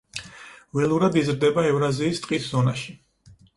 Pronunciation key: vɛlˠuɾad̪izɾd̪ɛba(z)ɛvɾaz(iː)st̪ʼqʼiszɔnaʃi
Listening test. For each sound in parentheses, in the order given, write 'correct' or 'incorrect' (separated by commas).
incorrect, correct